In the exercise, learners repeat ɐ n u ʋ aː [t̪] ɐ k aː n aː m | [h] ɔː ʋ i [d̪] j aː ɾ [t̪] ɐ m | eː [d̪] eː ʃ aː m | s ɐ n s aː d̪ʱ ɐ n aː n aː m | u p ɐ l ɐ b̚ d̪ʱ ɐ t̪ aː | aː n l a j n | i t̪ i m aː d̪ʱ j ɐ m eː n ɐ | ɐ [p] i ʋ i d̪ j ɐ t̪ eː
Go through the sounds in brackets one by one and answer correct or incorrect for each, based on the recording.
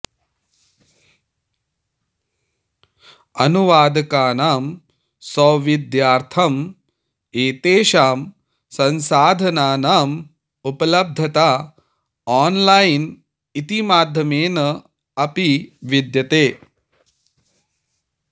incorrect: d̪, incorrect: s, correct, incorrect: t̪ʰ, incorrect: t̪, correct

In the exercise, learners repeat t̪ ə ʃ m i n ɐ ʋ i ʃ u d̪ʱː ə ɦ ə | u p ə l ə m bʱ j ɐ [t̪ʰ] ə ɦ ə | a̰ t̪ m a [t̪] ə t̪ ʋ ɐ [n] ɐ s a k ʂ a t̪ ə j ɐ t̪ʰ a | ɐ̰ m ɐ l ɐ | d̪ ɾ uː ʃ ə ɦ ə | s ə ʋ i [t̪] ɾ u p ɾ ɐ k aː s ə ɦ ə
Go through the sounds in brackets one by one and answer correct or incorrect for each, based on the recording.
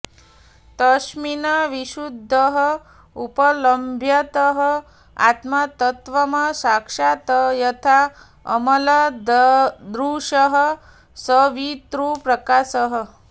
incorrect: t̪, correct, incorrect: m, correct

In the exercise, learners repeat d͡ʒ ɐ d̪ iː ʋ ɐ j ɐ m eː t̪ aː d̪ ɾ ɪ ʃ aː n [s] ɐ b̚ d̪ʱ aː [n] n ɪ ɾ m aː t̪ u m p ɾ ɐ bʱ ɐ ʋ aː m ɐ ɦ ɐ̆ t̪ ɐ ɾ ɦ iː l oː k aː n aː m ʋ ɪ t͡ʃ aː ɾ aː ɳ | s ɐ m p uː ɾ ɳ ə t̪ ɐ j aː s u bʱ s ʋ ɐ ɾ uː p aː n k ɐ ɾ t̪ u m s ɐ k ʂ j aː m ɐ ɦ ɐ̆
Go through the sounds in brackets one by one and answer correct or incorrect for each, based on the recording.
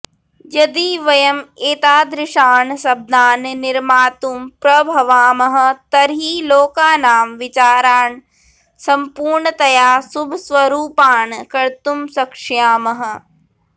correct, correct

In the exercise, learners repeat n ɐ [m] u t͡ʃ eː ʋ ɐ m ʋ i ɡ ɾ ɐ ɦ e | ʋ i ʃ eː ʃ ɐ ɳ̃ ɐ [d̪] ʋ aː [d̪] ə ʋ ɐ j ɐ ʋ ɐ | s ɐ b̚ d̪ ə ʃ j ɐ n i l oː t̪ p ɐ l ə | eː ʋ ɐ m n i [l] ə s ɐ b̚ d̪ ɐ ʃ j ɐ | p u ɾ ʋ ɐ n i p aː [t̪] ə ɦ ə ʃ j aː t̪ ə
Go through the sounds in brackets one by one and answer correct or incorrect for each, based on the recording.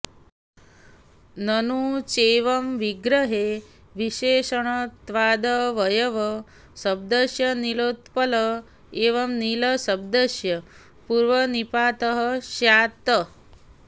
incorrect: n, incorrect: t̪, correct, correct, correct

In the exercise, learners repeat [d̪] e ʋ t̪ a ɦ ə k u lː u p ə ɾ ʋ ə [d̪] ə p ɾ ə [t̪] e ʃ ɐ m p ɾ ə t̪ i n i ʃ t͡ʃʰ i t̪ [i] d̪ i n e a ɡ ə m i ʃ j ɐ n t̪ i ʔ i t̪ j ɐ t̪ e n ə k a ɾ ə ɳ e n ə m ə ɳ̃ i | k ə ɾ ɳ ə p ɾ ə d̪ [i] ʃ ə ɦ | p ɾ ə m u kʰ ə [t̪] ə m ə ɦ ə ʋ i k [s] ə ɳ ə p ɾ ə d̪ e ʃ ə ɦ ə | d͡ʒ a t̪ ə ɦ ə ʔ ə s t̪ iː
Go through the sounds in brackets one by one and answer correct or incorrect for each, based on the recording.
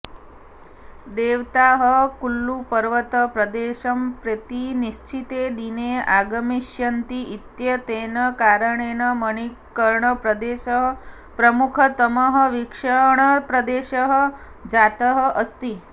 correct, incorrect: t̪, incorrect: d̪, incorrect: e, incorrect: e, correct, incorrect: ʂ

